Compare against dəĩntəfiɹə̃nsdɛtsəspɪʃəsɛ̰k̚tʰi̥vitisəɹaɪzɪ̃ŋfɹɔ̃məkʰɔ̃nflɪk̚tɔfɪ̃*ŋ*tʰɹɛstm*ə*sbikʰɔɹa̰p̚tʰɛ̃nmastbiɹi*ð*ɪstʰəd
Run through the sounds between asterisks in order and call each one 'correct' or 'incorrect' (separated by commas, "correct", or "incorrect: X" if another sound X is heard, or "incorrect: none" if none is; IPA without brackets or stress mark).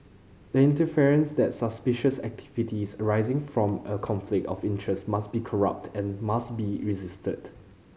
incorrect: n, incorrect: a, incorrect: z